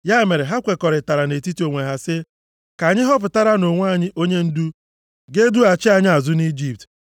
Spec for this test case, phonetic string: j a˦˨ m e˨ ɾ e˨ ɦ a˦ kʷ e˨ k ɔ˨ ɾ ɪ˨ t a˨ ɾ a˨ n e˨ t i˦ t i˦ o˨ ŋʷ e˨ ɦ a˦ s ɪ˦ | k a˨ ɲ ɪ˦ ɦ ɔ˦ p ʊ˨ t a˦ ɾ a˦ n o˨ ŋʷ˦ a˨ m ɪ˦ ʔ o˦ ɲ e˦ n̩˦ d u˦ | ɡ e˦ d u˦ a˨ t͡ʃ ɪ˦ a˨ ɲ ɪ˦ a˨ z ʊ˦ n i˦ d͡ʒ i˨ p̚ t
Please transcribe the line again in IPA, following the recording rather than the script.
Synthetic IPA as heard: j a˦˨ m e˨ ɾ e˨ ɦ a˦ kʷ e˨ k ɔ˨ ɾ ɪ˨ t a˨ ɾ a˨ n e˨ t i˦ t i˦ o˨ ŋʷ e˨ ɦ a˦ s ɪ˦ | k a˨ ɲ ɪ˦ ɦ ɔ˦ p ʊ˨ t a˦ ɾ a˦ n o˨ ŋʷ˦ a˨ ɲ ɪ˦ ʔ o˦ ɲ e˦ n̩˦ d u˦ | ɡ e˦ d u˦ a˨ t͡ʃ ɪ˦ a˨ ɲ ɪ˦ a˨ z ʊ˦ n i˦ d͡ʒ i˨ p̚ t